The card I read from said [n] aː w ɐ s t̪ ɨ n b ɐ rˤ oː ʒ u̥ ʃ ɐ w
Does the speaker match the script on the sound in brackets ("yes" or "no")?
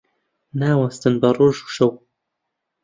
yes